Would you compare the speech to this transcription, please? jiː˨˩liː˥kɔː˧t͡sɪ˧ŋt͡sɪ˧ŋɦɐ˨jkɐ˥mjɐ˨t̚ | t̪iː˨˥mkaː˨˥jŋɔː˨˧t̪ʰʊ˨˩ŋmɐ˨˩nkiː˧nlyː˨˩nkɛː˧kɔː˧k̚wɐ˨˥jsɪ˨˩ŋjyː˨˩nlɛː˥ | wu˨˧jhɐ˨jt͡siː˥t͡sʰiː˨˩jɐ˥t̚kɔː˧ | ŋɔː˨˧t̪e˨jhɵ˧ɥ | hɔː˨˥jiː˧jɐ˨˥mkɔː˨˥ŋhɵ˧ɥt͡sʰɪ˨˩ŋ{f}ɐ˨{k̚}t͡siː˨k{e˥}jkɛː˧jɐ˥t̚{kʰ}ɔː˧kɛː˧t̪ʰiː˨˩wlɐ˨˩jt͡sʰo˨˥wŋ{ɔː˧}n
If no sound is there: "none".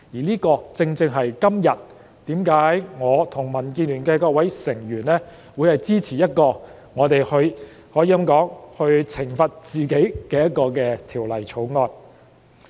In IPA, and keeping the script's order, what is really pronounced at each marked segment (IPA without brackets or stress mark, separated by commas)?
f, t̚, e˨˥, k, ɔː˧